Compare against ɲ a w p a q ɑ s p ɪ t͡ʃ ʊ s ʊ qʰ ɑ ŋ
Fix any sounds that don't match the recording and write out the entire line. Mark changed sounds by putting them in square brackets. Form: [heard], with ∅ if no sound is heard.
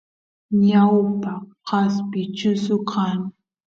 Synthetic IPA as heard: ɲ a w p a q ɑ s p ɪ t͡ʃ ʊ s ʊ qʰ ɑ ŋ